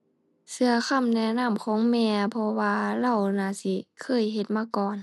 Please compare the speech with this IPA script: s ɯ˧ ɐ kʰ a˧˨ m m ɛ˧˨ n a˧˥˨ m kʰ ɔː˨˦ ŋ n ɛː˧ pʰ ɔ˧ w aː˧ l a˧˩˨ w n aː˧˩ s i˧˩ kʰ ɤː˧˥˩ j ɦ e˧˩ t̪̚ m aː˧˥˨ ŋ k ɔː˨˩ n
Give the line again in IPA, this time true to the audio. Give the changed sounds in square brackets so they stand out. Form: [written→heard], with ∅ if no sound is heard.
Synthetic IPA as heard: s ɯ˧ ɐ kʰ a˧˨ m [m→n] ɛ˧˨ n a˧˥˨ m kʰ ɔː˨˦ ŋ [n→m] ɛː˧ pʰ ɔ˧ w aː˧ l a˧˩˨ w n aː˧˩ s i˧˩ kʰ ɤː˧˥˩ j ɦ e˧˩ t̪̚ m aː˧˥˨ [ŋ→∅] k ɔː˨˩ n

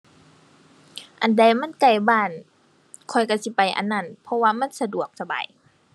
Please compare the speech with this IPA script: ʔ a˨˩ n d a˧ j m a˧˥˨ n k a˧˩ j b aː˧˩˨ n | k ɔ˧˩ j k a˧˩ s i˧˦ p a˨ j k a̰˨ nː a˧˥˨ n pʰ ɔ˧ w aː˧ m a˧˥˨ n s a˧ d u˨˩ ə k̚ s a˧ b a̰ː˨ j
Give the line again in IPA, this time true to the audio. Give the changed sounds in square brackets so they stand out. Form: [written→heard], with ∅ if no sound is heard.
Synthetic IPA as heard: ʔ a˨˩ n d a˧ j m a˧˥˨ n k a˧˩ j b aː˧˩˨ n | [k→kʰ] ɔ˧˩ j k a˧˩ s i˧˦ p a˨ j [k→ʔ] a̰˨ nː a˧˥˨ n pʰ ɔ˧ w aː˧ m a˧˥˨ n s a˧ d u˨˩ ə k̚ s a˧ b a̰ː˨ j

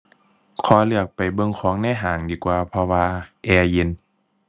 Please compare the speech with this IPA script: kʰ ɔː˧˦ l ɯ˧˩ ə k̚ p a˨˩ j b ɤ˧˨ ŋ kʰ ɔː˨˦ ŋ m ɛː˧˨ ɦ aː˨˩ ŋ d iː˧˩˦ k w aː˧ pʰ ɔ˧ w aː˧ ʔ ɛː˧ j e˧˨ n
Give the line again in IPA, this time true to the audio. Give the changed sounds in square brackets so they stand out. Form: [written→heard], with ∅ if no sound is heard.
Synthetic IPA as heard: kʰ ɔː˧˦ l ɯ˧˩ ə k̚ p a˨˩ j b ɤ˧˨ ŋ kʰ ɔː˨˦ ŋ [m→n] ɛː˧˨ ɦ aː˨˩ ŋ d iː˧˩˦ k w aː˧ pʰ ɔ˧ w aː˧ ʔ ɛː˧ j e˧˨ n

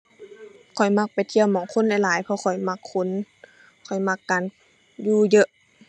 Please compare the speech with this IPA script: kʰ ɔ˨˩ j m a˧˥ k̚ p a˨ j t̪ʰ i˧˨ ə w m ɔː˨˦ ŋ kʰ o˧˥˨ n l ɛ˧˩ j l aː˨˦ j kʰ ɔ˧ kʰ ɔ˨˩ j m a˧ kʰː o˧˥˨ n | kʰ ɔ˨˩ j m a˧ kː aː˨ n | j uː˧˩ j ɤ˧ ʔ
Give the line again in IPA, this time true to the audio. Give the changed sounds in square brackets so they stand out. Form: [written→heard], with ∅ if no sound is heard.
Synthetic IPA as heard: kʰ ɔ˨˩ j m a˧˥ k̚ p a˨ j t̪ʰ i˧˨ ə w m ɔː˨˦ ŋ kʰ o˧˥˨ n l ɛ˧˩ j l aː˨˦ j [kʰ→pʰ] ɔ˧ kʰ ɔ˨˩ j m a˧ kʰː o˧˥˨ n | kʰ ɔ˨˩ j m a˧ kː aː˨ n | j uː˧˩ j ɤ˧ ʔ

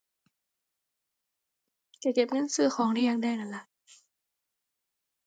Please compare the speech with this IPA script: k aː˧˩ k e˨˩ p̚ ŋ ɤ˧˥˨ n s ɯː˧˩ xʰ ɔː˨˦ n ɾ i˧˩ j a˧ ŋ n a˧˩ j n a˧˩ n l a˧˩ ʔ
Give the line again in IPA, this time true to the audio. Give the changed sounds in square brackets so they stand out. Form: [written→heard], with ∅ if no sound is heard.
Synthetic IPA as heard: k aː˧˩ k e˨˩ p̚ ŋ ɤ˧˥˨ n s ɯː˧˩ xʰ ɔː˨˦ [n→ŋ] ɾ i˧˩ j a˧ ŋ [n→d] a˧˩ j n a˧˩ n l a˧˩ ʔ

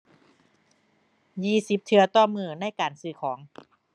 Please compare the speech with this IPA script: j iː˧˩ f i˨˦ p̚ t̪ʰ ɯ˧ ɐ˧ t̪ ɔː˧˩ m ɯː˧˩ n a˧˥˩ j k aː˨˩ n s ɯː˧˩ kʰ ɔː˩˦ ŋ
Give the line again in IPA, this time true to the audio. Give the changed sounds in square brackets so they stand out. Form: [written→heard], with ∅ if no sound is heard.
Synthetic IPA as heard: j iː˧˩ [f→s] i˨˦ p̚ t̪ʰ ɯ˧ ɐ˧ t̪ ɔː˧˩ m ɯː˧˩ n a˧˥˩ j k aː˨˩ n s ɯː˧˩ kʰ ɔː˩˦ ŋ

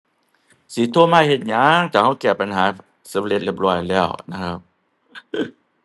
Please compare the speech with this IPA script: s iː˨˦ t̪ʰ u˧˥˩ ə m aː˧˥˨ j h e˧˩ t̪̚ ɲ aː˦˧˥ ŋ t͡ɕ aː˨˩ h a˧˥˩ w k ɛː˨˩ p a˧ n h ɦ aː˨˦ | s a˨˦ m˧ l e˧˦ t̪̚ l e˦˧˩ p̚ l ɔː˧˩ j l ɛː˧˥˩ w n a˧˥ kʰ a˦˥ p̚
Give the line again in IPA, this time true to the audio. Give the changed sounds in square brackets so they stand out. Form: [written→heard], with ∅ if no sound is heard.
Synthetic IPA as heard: s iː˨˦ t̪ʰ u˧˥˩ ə m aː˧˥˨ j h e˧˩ t̪̚ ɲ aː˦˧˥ ŋ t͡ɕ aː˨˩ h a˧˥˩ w k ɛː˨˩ p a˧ n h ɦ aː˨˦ | s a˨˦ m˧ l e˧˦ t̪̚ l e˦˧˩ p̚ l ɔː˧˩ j l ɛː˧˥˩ w n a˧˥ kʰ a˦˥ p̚

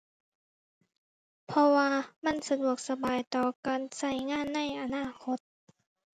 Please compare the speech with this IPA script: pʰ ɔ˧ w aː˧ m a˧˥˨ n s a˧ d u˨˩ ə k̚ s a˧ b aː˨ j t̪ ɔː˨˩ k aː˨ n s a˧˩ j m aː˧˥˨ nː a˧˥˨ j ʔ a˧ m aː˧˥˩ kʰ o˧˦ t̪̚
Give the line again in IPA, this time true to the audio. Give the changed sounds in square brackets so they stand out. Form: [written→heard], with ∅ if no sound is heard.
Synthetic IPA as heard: pʰ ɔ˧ w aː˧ m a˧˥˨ n s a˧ d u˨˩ ə k̚ s a˧ b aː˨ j t̪ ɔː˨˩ k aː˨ n s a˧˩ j [m→ŋ] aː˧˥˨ nː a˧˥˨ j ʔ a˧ [m→n] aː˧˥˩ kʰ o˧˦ t̪̚

